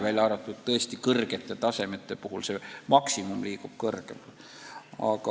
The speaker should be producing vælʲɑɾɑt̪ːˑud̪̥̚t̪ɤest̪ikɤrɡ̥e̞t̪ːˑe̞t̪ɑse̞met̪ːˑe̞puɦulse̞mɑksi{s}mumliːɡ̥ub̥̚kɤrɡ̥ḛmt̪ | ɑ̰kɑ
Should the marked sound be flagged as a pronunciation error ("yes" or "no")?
yes